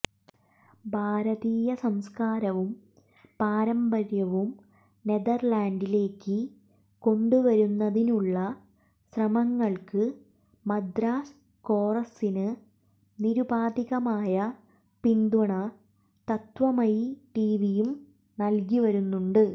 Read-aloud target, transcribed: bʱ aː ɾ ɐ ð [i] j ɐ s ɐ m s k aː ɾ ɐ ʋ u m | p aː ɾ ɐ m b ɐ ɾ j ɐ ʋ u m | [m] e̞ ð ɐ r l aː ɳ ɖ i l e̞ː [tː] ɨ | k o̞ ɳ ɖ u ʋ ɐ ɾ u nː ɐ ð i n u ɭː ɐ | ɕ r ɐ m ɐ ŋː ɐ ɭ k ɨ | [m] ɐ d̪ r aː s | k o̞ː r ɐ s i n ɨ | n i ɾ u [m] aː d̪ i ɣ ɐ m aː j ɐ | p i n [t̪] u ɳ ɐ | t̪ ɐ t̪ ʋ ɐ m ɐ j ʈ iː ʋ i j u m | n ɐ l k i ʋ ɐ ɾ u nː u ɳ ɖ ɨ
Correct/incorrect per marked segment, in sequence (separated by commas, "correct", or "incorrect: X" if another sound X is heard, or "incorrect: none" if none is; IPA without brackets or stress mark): incorrect: iː, incorrect: n, incorrect: kː, correct, incorrect: b, incorrect: d̪